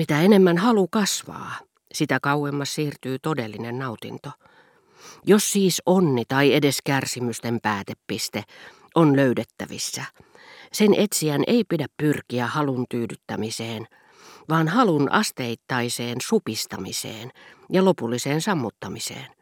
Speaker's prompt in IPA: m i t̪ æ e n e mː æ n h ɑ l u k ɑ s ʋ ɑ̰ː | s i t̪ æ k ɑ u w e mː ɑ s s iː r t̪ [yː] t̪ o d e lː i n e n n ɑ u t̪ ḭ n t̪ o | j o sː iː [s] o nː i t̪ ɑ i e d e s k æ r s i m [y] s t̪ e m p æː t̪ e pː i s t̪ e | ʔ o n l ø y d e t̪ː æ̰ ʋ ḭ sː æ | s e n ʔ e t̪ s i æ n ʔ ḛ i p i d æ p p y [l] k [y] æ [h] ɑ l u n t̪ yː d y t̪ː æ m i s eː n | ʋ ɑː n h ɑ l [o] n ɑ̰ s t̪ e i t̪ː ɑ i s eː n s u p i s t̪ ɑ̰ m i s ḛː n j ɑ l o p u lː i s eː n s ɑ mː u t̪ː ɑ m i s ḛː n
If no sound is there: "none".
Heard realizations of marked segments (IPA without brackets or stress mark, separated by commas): yː, s, y, r, i, h, u